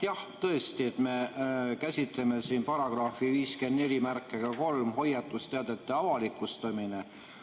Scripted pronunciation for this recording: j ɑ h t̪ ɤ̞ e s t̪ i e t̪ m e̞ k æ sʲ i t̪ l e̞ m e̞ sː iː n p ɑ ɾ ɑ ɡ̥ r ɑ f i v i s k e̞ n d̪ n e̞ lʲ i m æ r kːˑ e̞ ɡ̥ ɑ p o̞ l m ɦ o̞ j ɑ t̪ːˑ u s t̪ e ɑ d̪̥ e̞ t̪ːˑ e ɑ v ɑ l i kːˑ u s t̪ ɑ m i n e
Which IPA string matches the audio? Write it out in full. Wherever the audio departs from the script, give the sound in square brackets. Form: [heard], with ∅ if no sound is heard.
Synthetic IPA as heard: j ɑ h t̪ ɤ̞ e s t̪ i e t̪ m e̞ k æ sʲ i t̪ l e̞ m e̞ [s] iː n p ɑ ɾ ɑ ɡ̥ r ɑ f i v [iː] s k e̞ n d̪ n e̞ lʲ i m æ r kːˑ e̞ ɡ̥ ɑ [k] o̞ l m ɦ o̞ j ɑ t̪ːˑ u s t̪ e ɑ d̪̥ e̞ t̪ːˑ e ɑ v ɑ l i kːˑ u s t̪ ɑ m i n e